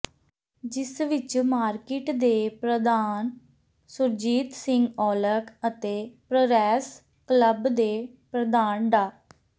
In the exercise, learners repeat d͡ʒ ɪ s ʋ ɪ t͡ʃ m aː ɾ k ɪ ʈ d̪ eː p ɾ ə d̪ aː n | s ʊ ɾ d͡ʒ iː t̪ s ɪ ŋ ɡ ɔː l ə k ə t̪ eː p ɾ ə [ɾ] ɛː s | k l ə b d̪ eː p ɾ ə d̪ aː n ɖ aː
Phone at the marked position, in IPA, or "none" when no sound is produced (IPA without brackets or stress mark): ɾ